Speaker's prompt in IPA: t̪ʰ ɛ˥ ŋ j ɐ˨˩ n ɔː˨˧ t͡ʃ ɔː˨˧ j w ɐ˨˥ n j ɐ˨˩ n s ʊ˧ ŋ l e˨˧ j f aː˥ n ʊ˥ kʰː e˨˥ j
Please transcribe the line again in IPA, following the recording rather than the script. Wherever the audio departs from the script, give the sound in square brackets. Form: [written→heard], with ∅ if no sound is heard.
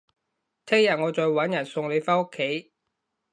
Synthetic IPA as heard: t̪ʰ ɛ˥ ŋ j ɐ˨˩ [n→ŋ] ɔː˨˧ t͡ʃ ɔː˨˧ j w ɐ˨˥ n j ɐ˨˩ n s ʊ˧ ŋ l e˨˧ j f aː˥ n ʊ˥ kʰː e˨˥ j